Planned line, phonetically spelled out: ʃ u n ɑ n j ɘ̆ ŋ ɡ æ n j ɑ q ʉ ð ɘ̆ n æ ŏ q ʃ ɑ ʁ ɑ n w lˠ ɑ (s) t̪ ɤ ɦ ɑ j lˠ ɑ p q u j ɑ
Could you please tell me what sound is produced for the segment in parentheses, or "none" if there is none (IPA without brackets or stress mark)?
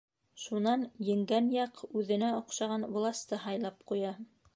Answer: s